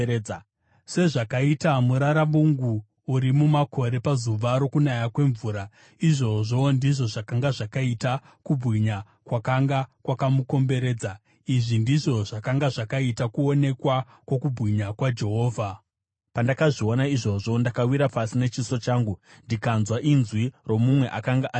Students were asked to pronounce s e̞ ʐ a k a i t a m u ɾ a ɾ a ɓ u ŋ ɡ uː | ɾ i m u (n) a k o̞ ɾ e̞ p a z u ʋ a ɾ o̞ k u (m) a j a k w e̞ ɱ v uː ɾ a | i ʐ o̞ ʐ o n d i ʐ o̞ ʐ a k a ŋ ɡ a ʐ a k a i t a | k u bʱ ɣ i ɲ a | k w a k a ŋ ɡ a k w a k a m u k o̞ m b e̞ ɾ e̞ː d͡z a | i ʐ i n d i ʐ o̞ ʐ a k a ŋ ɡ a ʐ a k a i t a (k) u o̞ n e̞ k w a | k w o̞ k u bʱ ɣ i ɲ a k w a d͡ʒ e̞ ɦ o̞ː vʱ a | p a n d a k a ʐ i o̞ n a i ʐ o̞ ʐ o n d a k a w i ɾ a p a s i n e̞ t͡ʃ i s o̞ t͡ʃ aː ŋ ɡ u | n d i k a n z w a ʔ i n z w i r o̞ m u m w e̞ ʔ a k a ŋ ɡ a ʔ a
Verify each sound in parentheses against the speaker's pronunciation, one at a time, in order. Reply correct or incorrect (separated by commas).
incorrect, incorrect, correct